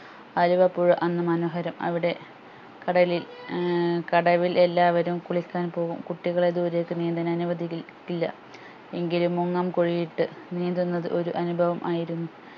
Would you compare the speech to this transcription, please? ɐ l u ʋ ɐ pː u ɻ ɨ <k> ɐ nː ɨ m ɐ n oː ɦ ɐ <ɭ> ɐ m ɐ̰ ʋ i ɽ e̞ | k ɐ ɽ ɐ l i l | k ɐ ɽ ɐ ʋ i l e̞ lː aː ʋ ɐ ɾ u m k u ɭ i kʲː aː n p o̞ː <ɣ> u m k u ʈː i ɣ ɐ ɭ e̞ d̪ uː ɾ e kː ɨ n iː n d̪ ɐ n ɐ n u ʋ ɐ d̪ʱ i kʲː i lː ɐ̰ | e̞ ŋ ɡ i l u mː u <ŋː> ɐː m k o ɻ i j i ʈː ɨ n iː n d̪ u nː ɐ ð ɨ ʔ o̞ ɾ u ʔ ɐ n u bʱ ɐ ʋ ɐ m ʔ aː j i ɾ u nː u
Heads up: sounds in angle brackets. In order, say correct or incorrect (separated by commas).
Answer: incorrect, incorrect, correct, correct